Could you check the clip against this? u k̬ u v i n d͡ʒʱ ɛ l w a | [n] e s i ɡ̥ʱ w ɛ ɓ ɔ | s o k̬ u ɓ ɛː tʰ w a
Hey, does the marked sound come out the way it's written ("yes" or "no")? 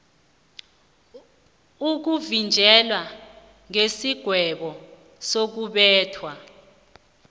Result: no